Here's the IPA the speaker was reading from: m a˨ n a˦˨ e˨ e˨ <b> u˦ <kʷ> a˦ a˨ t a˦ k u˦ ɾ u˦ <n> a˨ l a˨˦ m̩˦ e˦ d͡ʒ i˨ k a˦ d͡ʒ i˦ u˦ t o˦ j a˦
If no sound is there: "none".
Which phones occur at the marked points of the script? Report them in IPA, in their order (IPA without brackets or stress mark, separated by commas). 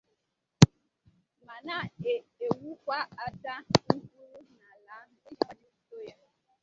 w, kʷ, n